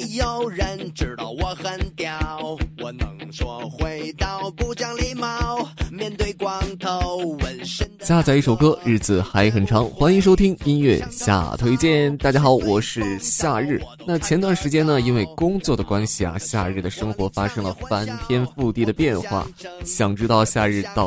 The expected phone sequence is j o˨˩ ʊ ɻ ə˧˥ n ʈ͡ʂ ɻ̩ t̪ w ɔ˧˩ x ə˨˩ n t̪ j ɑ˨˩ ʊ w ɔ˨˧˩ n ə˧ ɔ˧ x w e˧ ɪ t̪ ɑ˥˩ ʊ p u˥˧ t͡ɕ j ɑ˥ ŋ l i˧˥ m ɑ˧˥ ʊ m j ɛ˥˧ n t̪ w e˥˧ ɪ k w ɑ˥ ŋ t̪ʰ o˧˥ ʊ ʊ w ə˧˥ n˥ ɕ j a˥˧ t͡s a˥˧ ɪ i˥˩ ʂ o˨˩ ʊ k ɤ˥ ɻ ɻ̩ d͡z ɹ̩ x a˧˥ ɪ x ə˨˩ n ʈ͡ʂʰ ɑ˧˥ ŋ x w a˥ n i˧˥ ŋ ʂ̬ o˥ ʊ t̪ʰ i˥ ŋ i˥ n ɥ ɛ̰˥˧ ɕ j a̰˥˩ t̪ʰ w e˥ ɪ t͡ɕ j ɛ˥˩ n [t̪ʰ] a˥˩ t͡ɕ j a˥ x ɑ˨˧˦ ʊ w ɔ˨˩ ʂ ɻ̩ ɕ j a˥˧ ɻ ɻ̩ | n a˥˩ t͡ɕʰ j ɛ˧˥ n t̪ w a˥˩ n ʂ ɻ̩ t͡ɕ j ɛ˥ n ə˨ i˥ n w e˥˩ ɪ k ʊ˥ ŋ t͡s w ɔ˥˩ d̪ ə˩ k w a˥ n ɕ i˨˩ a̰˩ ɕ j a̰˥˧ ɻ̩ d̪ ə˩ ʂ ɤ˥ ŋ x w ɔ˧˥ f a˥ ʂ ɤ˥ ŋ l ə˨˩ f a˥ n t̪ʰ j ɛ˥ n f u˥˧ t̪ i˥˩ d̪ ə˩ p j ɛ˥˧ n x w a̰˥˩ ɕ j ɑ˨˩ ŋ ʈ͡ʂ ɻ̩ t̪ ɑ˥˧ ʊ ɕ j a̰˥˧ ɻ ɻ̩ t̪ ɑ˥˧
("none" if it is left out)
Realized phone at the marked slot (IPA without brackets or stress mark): t̪